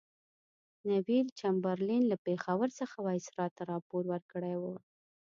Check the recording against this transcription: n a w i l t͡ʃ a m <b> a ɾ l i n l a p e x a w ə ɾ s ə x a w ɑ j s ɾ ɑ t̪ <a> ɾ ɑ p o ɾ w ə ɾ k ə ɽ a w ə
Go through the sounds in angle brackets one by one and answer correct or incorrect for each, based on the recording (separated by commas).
correct, correct